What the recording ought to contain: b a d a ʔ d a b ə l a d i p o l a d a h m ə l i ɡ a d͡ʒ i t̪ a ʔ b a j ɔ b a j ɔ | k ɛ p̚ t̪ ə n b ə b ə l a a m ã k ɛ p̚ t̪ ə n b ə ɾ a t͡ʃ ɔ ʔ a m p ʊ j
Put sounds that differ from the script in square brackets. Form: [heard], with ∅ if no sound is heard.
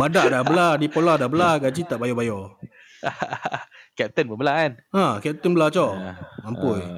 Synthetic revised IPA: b a d a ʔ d a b ə l a d i p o l a d a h [b] ə l [a] ɡ a d͡ʒ i t̪ a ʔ b a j ɔ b a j ɔ | k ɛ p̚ t̪ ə n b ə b ə l a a [n] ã k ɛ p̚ t̪ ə n b ə [l] a t͡ʃ ɔ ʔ a m p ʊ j